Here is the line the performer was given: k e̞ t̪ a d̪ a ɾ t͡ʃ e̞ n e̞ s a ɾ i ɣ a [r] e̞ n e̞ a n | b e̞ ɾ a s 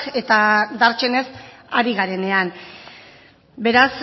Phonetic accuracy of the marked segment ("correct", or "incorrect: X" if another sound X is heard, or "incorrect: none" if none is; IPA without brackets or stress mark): incorrect: ɾ